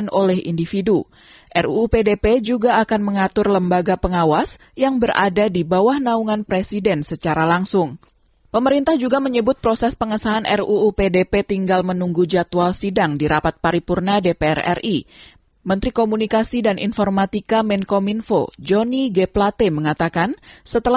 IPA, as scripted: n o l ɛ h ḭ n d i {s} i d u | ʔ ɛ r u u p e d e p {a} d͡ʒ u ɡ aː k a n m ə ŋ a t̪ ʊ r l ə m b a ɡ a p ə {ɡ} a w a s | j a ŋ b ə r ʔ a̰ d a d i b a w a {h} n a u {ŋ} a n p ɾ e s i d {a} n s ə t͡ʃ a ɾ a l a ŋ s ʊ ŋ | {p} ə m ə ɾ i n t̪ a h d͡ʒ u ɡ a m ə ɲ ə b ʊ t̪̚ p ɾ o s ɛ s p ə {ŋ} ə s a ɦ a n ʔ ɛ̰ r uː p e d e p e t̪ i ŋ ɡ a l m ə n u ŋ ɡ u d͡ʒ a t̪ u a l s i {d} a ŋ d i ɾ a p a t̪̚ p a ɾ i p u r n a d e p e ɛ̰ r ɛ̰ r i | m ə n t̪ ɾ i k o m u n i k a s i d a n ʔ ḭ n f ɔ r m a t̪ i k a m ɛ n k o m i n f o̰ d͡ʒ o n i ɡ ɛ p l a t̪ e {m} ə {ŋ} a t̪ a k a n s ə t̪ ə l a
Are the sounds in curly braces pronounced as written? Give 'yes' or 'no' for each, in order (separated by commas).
no, no, no, yes, yes, no, yes, yes, yes, yes, yes